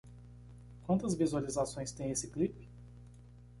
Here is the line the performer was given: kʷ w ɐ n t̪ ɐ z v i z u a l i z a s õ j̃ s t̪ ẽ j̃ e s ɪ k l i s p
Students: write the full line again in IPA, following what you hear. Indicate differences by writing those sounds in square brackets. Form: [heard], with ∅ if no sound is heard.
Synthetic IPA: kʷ w [ɐ̃] n t̪ ɐ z v i z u a l i z a s õ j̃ s t̪ ẽ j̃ e s ɪ k l i [∅] p